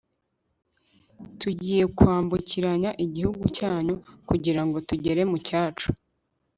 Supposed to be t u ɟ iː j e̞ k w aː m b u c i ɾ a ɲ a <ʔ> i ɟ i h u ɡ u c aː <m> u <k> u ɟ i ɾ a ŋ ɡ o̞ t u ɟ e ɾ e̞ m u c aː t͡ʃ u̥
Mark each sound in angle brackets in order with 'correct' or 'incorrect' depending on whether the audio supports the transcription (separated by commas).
correct, incorrect, correct